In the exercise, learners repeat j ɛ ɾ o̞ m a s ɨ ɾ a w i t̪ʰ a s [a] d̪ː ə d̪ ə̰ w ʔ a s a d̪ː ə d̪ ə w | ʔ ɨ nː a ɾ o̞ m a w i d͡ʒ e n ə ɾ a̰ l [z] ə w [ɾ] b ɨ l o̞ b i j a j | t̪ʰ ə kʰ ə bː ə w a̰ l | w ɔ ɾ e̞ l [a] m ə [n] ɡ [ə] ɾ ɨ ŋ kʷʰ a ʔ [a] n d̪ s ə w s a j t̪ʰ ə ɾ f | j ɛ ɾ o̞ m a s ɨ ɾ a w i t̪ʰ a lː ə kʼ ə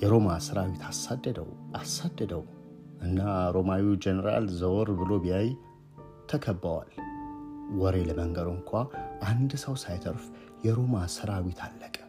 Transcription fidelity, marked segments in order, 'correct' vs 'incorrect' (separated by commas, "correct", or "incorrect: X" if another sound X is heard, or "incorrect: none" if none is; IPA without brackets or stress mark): correct, correct, correct, incorrect: ə, incorrect: ŋ, correct, correct